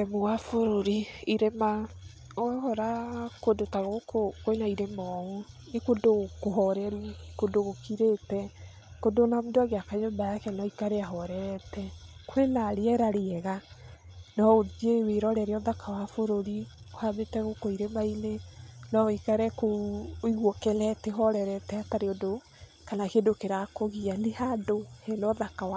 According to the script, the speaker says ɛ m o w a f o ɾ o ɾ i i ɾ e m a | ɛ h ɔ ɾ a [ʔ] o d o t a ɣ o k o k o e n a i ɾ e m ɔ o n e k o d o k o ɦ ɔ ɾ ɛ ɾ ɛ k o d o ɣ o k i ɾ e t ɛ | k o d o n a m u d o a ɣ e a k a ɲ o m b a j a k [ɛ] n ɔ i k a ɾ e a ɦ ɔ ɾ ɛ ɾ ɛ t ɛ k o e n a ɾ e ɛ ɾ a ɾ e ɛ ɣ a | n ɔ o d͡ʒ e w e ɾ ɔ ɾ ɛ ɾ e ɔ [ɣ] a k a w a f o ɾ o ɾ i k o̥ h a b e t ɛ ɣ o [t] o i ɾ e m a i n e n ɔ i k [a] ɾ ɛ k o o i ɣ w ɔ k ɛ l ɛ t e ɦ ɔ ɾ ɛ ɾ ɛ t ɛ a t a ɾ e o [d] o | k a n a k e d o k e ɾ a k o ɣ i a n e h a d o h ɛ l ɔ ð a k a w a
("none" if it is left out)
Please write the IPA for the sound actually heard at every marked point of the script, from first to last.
k, ɛ, ð, k, a, d

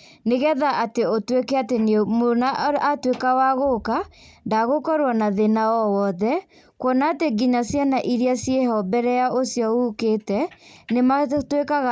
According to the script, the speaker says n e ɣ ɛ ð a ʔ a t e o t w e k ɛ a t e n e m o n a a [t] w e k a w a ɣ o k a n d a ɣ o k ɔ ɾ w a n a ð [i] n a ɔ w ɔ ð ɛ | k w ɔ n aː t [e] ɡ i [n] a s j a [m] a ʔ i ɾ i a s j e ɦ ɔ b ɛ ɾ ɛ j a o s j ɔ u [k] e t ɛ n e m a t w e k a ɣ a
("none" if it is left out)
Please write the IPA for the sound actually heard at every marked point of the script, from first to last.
t, e, e, ɲ, n, k

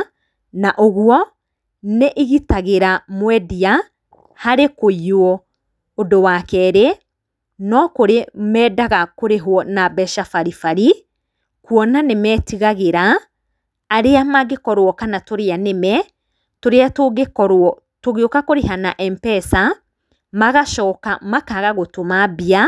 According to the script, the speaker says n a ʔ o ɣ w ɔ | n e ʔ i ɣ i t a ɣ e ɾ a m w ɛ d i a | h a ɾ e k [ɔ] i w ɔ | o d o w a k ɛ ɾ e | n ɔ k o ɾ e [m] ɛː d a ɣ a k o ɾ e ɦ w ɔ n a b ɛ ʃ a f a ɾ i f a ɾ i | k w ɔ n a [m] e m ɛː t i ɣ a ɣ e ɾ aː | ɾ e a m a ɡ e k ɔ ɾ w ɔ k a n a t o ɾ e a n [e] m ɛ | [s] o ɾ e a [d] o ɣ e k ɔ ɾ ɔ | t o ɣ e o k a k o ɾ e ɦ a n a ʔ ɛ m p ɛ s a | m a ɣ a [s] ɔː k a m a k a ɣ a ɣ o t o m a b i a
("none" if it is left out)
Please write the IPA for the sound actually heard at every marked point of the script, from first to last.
o, m, n, e, t, t, ʃ

